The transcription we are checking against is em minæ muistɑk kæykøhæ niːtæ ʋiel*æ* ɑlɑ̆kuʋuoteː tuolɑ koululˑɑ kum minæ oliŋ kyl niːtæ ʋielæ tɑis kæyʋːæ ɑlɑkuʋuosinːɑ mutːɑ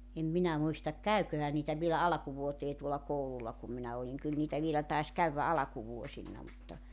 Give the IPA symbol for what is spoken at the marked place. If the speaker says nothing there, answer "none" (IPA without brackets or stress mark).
æ